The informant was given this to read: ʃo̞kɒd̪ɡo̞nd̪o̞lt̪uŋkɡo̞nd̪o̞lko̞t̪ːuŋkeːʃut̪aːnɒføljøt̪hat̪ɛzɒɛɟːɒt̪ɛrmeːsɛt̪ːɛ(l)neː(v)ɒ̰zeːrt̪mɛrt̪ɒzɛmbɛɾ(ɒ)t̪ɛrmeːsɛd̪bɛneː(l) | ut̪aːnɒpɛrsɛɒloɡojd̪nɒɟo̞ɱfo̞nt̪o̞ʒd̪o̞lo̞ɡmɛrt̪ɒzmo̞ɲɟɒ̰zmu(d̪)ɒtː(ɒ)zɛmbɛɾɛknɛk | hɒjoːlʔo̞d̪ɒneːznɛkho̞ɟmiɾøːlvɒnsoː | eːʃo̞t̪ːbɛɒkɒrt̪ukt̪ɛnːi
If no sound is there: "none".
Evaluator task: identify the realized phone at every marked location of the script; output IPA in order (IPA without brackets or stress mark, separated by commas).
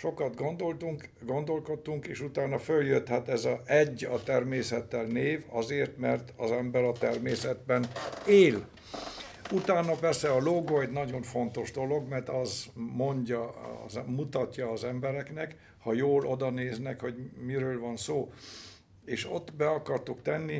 l, v, ɒ, l, t̪, ɒː